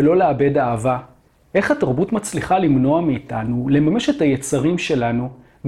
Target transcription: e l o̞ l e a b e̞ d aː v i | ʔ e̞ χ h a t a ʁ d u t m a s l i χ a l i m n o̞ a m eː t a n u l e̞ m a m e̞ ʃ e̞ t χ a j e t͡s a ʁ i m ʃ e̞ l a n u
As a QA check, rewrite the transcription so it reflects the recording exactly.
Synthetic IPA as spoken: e l o̞ l e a b e̞ d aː v a | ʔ e̞ χ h a t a ʁ b u t m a t͡s l i χ a l i m n o̞ a m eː t a n u l e̞ m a m e̞ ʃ e̞ t h a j e t͡s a ʁ i m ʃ e̞ l a n u